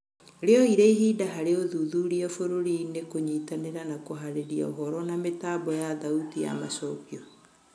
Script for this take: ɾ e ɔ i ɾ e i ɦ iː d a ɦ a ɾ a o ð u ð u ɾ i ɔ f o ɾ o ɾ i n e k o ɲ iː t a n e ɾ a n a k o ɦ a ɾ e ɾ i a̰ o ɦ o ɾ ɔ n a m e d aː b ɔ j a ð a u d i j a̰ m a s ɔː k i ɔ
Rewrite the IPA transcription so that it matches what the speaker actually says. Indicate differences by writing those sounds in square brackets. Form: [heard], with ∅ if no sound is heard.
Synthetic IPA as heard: ɾ e ɔ i ɾ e i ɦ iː d a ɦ a ɾ [e] o ð u ð u ɾ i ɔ f o ɾ o ɾ i n e k o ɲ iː t a n e ɾ a n a k o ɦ a ɾ e ɾ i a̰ o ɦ [ɔ] ɾ ɔ n a m e [t] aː b ɔ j a ð a u [t] i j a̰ m a s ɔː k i ɔ

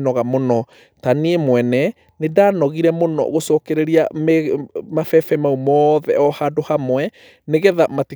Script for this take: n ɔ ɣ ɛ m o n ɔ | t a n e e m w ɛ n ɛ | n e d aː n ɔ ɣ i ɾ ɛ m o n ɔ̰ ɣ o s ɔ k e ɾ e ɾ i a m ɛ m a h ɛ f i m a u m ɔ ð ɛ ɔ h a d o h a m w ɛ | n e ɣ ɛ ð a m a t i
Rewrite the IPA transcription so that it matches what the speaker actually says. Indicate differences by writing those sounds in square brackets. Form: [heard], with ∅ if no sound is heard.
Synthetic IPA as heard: n ɔ ɣ [a] m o n ɔ | t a n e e m w ɛ n ɛ | n e d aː n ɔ ɣ i ɾ ɛ m o n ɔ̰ ɣ o s ɔ k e ɾ e ɾ i a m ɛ m a [f] ɛ f [ɛ] m a u m ɔ ð ɛ ɔ h a d o h a m w ɛ | n e ɣ ɛ ð a m a t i

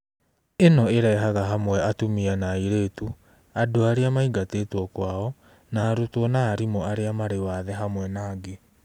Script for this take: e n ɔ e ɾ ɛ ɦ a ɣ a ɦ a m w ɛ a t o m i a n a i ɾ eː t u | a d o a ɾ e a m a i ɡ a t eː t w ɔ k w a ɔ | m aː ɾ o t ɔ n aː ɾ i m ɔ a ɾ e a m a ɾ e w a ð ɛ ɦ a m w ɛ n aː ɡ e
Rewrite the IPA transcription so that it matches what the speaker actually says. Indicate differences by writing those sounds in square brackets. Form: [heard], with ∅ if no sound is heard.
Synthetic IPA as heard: e n ɔ e ɾ ɛ ɦ a ɣ a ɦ a m w ɛ a t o m i a n a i ɾ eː t u | a d o a ɾ e a m a i ɡ a t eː t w ɔ k w a ɔ | [n] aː ɾ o t ɔ n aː ɾ i m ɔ a ɾ e a m a ɾ e w a ð ɛ ɦ a m w ɛ n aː ɡ e

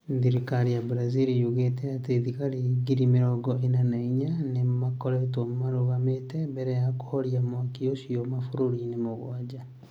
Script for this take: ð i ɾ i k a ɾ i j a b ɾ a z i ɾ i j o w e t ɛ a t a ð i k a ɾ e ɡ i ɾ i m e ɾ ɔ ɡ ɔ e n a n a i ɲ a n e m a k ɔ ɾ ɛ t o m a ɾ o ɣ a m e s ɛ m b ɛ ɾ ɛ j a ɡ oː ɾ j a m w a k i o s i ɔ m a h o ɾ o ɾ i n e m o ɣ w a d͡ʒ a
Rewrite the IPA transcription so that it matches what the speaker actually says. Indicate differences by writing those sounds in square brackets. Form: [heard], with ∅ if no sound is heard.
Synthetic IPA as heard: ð i ɾ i k a ɾ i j a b ɾ a z i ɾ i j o [ɣ] e t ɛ a t [e] ð i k a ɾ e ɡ i ɾ i m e ɾ ɔ ɡ ɔ e n a n a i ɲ a n e m a k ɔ ɾ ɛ t o m a ɾ o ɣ a m e [t] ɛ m b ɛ ɾ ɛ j a [k] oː ɾ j a m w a k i o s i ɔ m a [f] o ɾ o ɾ i n e m o ɣ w a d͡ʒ a

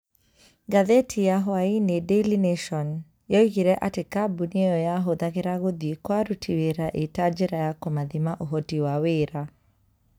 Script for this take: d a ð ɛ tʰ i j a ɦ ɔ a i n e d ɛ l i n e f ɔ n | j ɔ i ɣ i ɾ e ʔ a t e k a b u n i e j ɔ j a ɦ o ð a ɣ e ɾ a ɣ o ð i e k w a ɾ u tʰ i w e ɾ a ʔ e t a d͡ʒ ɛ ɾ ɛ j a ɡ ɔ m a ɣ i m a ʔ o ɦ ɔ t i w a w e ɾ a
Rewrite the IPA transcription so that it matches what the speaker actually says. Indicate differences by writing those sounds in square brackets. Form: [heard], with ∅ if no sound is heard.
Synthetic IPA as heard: [ɡ] a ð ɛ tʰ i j a ɦ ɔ a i n e d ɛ l i n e [ʃ] ɔ n | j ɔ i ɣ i ɾ [ɛ] ʔ a t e k a b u n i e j ɔ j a ɦ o ð a ɣ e ɾ a ɣ o ð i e k w a ɾ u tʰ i w e ɾ a ʔ e t a d͡ʒ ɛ ɾ [a] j a [k] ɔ m a [ð] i m a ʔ o ɦ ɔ t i w a w e ɾ a

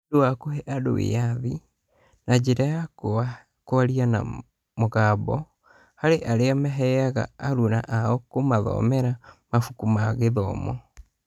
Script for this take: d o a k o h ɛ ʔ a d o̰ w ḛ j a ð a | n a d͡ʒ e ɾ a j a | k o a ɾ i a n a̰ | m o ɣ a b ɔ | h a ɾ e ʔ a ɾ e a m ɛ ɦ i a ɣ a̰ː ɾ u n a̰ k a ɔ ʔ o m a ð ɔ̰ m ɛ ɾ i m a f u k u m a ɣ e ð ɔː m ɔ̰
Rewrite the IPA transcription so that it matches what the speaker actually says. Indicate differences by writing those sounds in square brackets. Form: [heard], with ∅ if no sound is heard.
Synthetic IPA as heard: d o a k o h ɛ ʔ a d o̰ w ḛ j a ð [i] | n a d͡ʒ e ɾ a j a | k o a ɾ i a n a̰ | m o ɣ a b ɔ | h a ɾ e ʔ a ɾ e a m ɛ ɦ [ɛ] a ɣ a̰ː ɾ u n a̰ [ʔ] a ɔ [k] o m a ð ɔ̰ m ɛ ɾ [a] m a f u k u m a ɣ e ð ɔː m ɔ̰

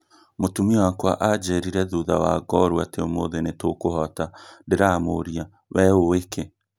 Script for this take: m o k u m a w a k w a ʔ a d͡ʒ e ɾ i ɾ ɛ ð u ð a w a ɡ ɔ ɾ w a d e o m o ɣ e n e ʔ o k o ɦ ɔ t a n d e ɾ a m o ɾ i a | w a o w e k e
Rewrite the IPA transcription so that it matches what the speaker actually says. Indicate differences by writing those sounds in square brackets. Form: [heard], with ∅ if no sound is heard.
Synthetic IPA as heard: m o [t] u m [i] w a k w a ʔ a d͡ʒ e ɾ i ɾ ɛ ð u ð a w a ɡ ɔ ɾ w a [t] e o m o [ð] e n e [t] o k o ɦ ɔ t a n d e ɾ a m o ɾ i a | w [ɛ] o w e k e

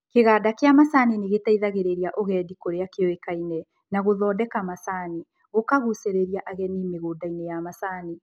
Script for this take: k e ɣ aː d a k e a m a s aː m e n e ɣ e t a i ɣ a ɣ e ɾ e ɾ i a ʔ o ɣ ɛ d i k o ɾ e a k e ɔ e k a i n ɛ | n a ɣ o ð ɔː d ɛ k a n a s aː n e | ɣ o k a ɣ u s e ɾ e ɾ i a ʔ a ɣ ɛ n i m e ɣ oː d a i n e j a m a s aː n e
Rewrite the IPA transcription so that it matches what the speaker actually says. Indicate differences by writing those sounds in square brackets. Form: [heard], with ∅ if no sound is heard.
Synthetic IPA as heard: k e ɣ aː d a k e a m a s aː [n] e n e ɣ e t a i [ð] a ɣ e ɾ e ɾ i a ʔ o ɣ ɛ d i k o ɾ e a k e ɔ e k a i n ɛ | n a ɣ o ð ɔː d ɛ k a [m] a s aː n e | ɣ o k a ɣ u s e ɾ e ɾ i a ʔ a ɣ ɛ n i m e ɣ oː d a i n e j a m a s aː n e

